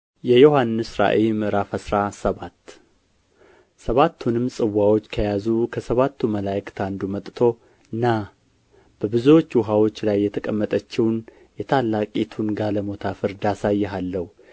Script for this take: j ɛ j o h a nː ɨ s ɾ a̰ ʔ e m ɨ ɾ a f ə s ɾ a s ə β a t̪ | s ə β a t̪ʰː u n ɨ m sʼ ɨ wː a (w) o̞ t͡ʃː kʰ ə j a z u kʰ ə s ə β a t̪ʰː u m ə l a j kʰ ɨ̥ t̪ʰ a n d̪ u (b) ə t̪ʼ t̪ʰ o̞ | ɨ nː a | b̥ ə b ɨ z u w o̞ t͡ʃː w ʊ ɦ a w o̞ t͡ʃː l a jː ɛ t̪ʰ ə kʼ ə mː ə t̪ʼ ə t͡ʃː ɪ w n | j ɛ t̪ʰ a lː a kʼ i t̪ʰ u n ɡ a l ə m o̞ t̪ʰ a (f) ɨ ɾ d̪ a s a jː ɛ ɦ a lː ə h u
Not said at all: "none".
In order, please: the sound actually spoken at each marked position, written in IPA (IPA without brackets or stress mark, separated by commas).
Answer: w, m, f